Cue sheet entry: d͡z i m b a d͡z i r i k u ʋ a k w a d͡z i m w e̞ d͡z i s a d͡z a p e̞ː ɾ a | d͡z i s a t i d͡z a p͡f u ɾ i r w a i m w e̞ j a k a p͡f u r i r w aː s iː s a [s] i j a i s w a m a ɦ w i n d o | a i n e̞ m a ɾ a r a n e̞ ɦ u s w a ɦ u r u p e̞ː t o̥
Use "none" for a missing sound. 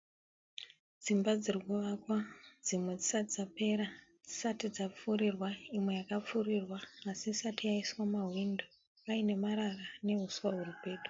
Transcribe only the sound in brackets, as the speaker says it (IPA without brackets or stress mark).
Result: t